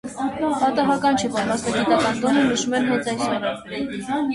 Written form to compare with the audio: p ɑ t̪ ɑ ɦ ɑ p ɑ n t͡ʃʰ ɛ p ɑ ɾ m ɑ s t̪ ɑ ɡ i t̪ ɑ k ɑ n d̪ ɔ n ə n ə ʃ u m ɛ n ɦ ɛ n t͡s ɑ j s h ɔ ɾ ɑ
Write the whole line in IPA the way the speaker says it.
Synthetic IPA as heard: p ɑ t̪ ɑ ɦ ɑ k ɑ n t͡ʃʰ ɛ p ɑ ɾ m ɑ s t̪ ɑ ɡ i t̪ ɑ k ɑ n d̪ ɔ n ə n ə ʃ u m ɛ n ɦ ɛ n t͡s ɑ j s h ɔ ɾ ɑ